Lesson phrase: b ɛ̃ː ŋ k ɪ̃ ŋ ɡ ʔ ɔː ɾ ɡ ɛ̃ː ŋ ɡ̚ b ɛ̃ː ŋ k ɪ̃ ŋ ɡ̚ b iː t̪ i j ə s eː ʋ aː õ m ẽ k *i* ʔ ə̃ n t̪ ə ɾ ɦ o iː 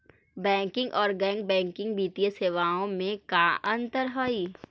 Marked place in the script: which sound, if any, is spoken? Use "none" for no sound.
a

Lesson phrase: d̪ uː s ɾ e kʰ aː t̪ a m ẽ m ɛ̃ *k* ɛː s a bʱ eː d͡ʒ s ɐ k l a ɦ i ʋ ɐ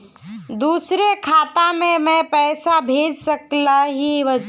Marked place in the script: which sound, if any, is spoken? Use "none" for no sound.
p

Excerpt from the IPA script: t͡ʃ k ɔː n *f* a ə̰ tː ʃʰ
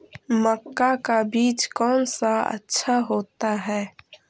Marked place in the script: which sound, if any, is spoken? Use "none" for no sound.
s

